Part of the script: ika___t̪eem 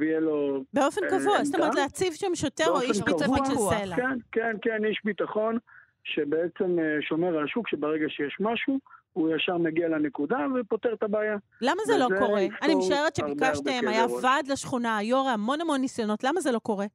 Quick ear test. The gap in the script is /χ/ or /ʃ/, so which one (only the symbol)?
ʃ